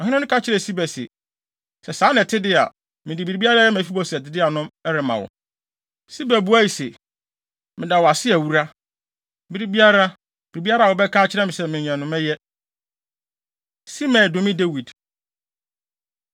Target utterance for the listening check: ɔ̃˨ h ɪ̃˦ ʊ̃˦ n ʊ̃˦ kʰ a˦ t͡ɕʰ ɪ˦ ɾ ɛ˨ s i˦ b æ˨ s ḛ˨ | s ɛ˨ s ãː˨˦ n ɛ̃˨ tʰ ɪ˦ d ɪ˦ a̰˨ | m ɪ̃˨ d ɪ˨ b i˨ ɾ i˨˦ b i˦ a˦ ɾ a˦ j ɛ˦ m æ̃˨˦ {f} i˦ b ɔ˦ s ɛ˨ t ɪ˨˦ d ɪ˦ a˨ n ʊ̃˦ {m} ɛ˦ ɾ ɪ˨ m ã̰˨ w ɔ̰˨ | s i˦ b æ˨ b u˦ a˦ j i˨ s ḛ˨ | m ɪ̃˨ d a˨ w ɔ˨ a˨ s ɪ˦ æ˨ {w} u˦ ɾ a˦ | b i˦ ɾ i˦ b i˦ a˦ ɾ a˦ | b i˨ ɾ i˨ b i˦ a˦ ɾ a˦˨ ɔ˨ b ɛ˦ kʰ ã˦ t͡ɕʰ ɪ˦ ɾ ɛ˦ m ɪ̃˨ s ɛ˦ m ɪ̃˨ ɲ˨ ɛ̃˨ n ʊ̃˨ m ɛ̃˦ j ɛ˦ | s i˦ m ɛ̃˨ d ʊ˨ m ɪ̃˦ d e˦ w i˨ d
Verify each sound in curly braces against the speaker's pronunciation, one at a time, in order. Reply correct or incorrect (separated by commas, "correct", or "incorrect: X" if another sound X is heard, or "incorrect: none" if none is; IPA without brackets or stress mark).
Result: correct, correct, correct